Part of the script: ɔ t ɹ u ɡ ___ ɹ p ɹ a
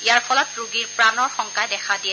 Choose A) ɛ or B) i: B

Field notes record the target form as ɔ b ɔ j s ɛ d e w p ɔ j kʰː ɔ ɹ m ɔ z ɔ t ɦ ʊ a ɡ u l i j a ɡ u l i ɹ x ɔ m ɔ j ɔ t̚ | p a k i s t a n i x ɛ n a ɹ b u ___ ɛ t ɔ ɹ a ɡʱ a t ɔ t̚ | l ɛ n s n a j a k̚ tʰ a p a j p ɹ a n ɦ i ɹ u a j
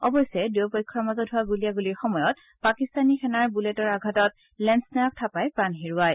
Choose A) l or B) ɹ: A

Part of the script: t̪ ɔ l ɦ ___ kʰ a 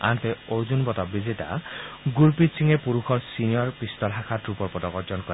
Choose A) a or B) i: A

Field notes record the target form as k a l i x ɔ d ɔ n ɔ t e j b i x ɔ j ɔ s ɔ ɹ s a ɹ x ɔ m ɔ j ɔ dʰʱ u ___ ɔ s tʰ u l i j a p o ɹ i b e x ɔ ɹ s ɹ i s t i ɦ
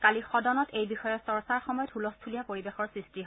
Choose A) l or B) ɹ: A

